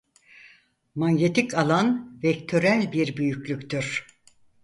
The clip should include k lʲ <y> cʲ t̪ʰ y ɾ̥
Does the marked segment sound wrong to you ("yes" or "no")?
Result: no